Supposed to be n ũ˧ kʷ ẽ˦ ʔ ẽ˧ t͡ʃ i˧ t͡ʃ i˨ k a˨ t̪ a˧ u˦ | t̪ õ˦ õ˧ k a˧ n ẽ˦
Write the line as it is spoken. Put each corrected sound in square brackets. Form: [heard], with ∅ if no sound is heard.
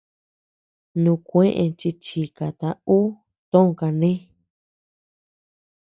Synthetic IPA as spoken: n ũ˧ kʷ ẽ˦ ʔ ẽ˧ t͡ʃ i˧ t͡ʃ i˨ k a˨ t̪ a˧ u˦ | t̪ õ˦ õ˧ k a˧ n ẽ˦